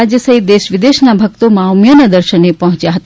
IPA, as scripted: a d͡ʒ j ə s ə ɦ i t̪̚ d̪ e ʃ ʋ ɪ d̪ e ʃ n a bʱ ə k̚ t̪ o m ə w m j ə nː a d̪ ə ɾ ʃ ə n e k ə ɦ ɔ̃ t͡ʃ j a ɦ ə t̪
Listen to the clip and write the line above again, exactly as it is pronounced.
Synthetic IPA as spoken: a d͡ʒ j ə s ə ɦ i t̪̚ d̪ e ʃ ʋ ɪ d̪ e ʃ n a bʱ ə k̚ t̪ o m a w m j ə n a d̪ ə ɾ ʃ ə n e p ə ɦ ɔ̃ t͡ʃ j a ɦ ə t̪